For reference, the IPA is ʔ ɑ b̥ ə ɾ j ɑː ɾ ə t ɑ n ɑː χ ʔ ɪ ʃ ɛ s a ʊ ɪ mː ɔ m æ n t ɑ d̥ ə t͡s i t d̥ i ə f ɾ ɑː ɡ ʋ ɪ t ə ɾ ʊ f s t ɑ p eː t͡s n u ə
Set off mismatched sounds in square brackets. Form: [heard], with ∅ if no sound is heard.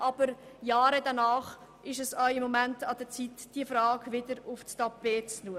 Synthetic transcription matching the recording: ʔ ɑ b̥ ə ɾ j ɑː ɾ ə [d] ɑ n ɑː χ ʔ ɪ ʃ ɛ s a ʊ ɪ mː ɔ m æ n t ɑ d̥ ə t͡s i t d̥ i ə f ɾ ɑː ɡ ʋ ɪ [d] ə ɾ ʊ f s t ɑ p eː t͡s n u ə